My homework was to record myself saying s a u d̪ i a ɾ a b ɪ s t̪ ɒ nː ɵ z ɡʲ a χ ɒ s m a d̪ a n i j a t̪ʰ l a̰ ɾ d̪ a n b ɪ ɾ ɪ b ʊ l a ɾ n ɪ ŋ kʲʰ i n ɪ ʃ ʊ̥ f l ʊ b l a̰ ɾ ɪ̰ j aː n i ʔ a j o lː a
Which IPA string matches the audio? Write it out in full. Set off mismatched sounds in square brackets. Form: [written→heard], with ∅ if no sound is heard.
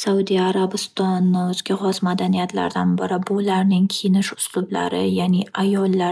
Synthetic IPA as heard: s a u d̪ i a ɾ a b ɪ s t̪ ɒ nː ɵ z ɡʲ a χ ɒ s m a d̪ a n i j a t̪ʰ l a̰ ɾ d̪ a n b ɪ ɾ ɪ b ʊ l a ɾ n ɪ ŋ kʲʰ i n ɪ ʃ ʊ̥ [f→s] l ʊ b l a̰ ɾ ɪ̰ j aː n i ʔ a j [o→ɒ] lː a